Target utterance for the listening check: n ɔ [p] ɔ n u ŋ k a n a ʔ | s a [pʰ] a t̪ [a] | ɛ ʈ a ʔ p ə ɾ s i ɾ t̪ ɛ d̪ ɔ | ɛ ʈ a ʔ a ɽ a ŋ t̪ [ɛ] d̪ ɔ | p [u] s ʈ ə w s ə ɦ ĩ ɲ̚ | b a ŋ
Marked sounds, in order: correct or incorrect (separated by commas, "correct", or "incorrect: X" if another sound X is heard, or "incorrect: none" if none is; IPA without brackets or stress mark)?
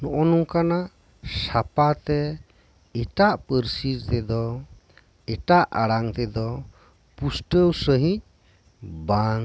incorrect: ʔ, incorrect: p, incorrect: ɛ, correct, correct